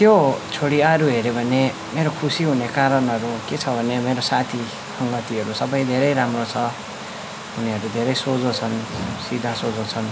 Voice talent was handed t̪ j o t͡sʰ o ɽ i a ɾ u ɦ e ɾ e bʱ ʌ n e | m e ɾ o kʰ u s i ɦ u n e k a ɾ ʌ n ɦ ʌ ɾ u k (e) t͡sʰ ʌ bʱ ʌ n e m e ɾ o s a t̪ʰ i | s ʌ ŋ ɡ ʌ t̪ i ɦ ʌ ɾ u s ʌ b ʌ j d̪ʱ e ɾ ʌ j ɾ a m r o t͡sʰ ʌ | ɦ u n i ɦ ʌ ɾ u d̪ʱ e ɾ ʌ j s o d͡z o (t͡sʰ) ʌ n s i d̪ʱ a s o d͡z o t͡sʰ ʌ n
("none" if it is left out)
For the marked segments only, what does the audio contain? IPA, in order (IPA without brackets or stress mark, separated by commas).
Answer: e, t͡sʰ